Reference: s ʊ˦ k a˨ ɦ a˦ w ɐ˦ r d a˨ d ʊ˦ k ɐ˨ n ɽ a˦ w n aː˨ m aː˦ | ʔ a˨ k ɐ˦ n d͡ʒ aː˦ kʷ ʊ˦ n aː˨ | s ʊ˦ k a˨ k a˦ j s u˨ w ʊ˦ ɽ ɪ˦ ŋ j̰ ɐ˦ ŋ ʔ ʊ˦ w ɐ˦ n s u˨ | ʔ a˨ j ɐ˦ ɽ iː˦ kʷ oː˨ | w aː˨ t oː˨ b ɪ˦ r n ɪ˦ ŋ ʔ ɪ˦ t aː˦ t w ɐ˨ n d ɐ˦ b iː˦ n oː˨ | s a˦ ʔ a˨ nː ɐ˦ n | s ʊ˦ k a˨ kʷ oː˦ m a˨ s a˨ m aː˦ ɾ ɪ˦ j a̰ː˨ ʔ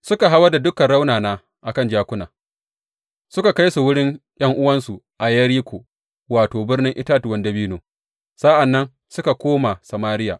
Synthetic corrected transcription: s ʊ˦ k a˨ ɦ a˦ w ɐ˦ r d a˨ d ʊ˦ k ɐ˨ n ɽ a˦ w n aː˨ n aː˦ | ʔ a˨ k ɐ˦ n d͡ʒ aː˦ kʷ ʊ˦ n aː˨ | s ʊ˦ k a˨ k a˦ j s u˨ w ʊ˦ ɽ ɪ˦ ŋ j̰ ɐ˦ ŋ ʔ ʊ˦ w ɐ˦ n s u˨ | ʔ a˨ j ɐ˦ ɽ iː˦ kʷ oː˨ | w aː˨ t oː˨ b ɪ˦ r n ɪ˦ ŋ ʔ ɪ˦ t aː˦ t w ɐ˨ n d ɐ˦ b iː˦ n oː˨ | s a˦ ʔ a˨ nː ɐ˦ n | s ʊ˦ k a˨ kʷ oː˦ m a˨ s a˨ m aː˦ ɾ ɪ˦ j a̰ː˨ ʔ